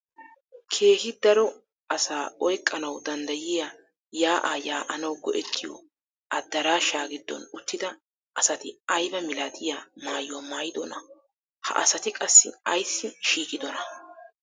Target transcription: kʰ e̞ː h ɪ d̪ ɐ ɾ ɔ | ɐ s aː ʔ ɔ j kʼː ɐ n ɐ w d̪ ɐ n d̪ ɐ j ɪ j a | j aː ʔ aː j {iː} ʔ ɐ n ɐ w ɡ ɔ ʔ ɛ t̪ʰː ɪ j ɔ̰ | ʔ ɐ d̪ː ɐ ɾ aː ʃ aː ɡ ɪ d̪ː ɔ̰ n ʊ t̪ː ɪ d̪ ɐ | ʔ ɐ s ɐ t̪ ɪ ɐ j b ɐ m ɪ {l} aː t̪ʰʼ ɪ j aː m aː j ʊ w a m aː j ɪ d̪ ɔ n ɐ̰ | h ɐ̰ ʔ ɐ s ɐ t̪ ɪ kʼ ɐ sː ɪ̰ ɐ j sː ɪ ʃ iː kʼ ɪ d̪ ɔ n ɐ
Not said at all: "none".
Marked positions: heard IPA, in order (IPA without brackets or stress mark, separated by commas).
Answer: aː, l